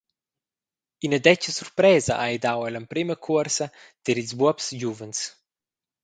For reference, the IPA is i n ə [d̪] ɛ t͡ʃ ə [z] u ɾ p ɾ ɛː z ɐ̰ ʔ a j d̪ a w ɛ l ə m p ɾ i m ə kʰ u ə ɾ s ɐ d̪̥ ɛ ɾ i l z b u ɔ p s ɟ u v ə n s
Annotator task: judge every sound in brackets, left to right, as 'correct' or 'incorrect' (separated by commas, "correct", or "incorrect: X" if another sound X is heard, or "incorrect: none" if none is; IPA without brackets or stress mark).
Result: correct, incorrect: s